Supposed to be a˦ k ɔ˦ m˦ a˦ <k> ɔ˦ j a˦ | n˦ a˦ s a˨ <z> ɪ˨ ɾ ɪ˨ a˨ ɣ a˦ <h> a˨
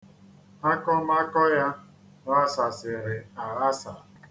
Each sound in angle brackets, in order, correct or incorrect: correct, incorrect: s, incorrect: s

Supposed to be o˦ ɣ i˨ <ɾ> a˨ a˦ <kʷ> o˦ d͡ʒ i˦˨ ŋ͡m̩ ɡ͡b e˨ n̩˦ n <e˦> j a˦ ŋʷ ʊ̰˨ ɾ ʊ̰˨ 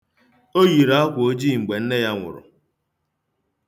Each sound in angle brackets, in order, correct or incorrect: correct, correct, correct

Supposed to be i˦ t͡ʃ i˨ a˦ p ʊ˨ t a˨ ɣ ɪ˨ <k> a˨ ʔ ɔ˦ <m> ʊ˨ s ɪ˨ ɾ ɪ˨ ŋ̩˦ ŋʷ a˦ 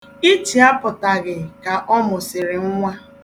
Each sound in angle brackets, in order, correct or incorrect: correct, correct

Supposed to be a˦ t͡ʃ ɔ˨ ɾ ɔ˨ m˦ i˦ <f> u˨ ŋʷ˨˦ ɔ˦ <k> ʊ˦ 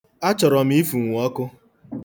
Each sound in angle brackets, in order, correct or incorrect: correct, correct

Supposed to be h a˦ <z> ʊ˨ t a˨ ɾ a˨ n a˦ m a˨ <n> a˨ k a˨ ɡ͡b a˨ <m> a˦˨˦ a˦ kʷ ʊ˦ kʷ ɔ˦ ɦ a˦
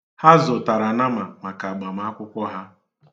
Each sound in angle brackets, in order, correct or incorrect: correct, incorrect: m, correct

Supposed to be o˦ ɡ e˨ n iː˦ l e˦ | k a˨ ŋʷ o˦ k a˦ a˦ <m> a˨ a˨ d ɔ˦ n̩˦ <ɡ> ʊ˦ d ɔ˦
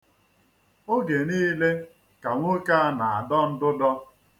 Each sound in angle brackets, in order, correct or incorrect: incorrect: n, incorrect: d

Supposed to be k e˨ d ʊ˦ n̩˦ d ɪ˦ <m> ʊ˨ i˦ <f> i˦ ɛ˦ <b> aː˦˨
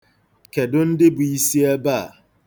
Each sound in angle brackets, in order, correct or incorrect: incorrect: b, incorrect: s, correct

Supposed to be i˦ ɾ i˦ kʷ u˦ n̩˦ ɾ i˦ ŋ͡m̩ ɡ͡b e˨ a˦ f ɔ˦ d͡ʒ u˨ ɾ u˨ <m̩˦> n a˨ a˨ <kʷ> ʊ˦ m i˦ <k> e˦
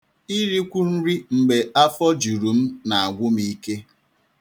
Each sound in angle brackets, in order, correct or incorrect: correct, incorrect: ɡʷ, correct

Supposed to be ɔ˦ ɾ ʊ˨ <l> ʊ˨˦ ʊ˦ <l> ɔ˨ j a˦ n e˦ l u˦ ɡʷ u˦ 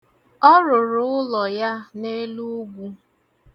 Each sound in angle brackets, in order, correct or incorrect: incorrect: ɾ, correct

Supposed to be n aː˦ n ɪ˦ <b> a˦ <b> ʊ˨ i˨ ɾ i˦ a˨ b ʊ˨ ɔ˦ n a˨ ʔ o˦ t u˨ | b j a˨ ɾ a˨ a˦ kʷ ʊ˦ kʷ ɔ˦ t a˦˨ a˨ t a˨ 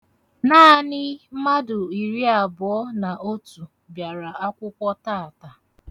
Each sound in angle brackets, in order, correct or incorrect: incorrect: m, incorrect: d

